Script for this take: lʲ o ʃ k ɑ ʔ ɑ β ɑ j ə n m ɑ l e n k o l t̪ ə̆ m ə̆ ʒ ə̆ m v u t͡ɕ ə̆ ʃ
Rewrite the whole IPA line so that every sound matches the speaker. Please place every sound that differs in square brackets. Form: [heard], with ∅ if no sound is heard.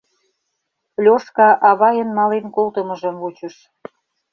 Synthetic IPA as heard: lʲ o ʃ k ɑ ʔ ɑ β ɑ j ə n m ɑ l e n k o l t̪ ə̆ m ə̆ ʒ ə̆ m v u t͡ɕ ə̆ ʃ